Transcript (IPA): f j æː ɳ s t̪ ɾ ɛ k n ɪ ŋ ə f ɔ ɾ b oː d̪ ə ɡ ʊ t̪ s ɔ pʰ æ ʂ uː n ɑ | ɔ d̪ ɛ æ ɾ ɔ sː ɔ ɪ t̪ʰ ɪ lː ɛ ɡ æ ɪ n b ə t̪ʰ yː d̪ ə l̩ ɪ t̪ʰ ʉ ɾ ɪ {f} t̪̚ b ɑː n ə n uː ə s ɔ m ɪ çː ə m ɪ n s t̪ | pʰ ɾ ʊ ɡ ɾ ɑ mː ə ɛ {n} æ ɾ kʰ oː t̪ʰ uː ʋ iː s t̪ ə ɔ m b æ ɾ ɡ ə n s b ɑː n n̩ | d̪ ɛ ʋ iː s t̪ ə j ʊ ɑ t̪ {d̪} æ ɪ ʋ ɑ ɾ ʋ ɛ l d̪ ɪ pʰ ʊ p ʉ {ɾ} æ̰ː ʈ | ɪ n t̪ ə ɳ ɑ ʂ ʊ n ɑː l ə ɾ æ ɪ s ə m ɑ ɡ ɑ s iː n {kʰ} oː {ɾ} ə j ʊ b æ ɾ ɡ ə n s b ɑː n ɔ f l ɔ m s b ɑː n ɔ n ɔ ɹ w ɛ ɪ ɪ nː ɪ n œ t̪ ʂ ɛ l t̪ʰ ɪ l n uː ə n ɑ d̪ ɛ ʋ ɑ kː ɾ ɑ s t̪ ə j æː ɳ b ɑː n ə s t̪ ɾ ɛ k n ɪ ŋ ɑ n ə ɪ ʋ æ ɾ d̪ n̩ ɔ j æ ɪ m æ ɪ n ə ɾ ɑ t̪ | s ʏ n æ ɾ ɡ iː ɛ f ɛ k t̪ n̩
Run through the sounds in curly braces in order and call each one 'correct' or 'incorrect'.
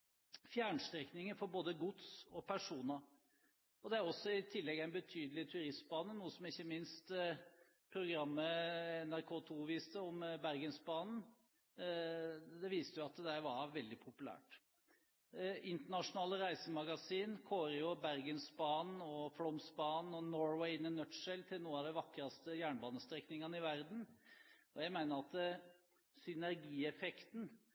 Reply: incorrect: s, correct, correct, incorrect: l, correct, correct

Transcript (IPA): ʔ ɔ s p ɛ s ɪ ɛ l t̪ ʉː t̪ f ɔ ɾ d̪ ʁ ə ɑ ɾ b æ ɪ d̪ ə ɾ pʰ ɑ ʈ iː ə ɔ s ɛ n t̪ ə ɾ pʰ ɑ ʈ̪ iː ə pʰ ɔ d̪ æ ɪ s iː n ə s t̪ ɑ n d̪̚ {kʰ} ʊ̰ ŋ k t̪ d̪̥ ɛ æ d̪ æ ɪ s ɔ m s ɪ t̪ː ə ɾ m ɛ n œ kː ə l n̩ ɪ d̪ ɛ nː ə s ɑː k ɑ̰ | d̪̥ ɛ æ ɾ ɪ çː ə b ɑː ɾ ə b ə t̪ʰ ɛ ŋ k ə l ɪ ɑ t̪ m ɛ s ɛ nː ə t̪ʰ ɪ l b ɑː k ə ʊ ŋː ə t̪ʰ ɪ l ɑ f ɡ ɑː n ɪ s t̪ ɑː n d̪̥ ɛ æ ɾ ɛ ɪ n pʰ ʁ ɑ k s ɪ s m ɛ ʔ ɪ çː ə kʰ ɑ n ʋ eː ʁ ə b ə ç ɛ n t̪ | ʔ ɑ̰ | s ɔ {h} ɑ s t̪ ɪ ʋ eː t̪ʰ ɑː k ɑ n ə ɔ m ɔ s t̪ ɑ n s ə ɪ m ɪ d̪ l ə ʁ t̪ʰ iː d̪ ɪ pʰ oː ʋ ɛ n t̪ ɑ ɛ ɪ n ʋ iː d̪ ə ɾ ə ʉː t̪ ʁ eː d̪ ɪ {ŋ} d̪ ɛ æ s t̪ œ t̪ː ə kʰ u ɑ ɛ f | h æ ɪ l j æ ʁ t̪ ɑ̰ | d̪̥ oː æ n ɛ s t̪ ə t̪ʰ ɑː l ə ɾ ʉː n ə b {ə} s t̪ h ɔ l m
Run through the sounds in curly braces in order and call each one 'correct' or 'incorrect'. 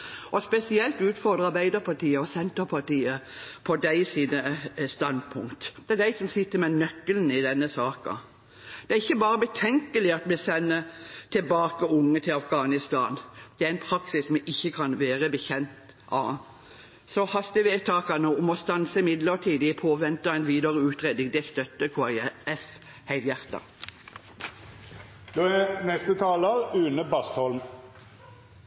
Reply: incorrect: pʰ, correct, correct, incorrect: ɑ

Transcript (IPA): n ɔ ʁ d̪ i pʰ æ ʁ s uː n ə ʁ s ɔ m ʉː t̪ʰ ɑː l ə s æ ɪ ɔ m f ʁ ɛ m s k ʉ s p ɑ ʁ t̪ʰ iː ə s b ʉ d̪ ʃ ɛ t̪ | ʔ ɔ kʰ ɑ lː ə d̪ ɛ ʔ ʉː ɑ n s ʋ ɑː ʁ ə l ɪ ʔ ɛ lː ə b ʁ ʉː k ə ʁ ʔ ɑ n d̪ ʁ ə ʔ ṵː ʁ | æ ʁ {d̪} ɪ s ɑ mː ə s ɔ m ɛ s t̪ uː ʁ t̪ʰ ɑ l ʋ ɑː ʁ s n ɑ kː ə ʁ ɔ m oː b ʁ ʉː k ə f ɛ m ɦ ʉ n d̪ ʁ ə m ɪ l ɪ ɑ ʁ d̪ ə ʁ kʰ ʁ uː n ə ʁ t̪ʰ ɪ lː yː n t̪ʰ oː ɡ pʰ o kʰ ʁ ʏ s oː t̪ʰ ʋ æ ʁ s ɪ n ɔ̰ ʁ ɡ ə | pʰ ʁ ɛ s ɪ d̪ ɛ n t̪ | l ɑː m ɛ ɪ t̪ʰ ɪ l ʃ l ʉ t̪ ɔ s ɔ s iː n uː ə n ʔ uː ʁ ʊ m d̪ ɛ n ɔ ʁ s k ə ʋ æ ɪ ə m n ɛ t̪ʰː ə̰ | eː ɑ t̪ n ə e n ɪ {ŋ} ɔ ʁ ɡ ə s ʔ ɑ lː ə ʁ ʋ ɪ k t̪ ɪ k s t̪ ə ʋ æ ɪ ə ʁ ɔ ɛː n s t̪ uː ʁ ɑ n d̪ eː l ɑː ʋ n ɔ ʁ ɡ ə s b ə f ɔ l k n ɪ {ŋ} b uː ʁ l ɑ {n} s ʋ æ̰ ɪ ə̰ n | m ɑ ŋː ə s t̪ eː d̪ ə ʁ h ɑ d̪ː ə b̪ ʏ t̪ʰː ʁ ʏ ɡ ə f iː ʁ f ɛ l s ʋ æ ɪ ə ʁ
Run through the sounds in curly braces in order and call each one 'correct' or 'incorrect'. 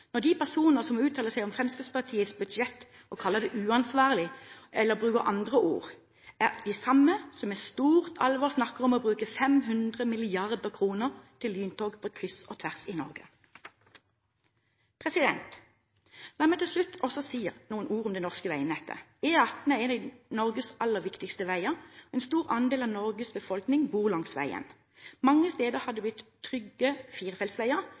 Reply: correct, incorrect: n, correct, incorrect: ŋ

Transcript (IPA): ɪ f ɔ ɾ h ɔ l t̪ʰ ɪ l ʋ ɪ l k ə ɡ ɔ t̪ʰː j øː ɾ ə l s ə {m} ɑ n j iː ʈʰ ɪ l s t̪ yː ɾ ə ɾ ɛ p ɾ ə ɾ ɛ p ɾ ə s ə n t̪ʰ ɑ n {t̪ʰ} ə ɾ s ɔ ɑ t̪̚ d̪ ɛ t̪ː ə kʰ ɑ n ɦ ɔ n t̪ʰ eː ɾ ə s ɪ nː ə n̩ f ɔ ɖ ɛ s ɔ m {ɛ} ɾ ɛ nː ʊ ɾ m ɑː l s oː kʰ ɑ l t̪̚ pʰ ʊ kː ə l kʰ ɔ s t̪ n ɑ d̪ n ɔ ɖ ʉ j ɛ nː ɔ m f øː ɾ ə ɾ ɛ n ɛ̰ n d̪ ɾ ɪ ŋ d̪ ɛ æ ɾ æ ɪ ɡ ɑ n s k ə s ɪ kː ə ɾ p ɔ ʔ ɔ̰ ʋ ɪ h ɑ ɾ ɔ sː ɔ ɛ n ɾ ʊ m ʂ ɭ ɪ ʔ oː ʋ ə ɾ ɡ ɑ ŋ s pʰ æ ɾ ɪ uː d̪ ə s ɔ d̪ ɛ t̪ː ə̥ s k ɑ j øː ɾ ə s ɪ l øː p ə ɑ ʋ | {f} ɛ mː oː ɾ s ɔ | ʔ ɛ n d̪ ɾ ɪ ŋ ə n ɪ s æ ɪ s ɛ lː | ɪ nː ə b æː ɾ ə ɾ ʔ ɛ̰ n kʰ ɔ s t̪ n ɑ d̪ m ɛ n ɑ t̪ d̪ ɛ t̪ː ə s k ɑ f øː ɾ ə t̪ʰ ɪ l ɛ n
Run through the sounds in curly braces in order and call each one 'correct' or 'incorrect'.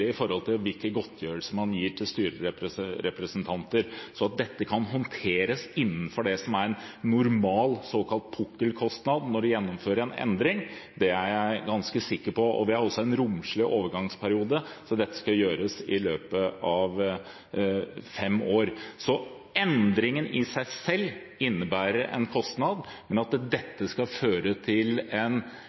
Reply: correct, incorrect: t̪, incorrect: æ, correct

